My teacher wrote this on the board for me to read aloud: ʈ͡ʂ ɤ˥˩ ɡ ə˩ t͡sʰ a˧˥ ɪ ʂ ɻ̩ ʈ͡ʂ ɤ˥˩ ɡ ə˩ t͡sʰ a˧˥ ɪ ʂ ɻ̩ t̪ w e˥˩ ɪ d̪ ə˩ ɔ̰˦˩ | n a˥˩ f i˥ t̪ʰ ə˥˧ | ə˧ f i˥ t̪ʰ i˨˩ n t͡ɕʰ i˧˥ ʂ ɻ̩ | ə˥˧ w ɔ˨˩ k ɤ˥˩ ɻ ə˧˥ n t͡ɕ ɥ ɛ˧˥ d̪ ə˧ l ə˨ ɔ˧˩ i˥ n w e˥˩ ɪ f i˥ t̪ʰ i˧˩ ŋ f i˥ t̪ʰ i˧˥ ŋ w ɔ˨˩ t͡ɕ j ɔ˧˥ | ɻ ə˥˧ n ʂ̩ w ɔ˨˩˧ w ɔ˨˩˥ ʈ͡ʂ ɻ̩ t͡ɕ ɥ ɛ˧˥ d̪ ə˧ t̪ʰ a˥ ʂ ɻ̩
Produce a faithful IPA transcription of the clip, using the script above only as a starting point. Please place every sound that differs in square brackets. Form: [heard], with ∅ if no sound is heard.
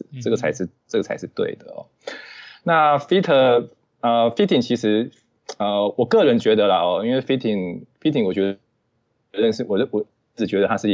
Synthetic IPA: ʈ͡ʂ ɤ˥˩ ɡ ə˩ t͡sʰ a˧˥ ɪ ʂ ɻ̩ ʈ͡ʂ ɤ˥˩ ɡ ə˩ t͡sʰ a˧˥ ɪ ʂ ɻ̩ t̪ w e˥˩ ɪ d̪ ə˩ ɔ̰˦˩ | n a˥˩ f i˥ t̪ʰ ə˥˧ | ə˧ f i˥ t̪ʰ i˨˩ [ŋ] t͡ɕʰ i˧˥ ʂ ɻ̩ | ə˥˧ w ɔ˨˩ k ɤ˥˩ ɻ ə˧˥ n t͡ɕ ɥ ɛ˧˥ d̪ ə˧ l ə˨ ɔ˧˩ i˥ n w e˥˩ ɪ f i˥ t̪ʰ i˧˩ ŋ f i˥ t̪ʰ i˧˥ ŋ w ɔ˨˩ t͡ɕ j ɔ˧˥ | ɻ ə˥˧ n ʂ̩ w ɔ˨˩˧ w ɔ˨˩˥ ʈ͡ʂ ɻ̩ t͡ɕ ɥ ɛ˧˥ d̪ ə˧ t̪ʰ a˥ ʂ ɻ̩